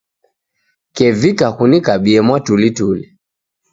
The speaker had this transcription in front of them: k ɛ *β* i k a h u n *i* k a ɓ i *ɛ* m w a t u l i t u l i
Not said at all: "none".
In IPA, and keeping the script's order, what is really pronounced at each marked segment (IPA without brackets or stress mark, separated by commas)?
v, i, ɛ